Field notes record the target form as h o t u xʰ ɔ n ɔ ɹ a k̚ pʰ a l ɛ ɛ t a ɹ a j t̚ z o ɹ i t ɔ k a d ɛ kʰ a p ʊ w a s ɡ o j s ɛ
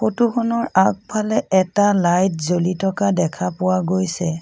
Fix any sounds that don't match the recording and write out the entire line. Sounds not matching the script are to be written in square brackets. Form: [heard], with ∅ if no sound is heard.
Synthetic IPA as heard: [x] o t u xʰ ɔ n ɔ ɹ a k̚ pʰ a l ɛ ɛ t a [l] a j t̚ z o [l] i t ɔ k a d ɛ kʰ a p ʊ w a [∅] ɡ o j s ɛ